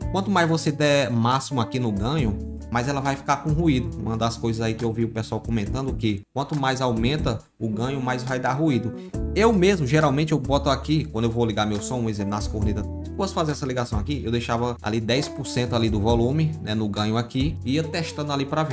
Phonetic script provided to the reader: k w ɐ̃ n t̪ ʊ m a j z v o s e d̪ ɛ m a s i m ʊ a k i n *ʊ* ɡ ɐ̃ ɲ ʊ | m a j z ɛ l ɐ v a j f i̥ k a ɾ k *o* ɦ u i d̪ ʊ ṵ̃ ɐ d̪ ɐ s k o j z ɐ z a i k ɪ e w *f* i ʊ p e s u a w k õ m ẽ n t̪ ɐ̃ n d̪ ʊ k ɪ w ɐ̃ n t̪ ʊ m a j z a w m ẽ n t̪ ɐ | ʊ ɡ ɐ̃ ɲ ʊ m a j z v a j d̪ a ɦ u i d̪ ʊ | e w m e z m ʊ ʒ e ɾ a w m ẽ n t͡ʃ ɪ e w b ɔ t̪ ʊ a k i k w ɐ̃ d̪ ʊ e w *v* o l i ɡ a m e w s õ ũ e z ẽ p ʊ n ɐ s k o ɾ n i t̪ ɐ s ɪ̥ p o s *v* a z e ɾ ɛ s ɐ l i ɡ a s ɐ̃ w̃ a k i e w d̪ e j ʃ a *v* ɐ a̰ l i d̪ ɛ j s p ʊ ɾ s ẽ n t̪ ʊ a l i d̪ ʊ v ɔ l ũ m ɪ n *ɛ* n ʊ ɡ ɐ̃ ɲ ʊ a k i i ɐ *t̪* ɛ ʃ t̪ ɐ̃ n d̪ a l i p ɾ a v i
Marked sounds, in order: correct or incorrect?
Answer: correct, incorrect, incorrect, correct, incorrect, correct, correct, correct

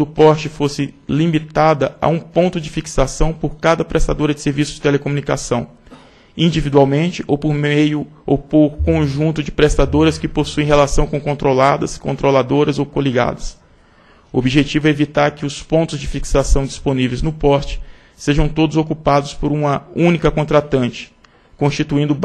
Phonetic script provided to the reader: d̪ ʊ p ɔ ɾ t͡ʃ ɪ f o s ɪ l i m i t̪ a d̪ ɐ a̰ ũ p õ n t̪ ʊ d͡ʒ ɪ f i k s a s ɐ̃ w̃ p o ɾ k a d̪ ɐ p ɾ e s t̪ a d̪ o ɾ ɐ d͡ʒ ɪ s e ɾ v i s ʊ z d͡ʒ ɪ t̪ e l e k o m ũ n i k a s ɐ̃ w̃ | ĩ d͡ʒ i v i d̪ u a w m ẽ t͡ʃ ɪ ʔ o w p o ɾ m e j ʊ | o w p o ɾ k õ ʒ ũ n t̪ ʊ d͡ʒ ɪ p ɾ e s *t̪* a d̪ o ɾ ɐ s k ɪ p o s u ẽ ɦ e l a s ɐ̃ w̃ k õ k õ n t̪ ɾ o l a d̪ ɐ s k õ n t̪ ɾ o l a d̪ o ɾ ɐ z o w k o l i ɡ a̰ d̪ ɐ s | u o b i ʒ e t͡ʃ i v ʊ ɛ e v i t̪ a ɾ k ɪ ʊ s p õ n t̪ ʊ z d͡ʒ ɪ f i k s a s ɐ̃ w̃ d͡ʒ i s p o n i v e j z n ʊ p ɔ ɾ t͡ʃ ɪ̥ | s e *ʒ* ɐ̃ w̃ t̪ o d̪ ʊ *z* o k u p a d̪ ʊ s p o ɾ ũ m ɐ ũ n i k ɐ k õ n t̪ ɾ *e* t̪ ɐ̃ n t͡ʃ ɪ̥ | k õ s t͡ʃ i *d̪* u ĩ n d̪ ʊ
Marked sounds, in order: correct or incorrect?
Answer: correct, correct, correct, incorrect, incorrect

